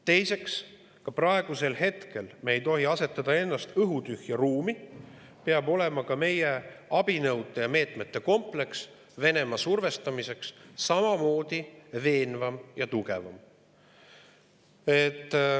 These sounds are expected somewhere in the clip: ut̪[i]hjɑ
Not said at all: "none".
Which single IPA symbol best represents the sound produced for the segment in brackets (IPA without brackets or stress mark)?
y